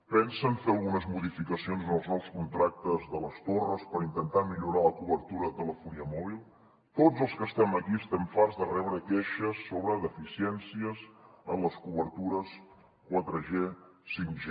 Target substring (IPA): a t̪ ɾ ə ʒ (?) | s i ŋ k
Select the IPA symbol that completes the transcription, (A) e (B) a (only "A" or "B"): A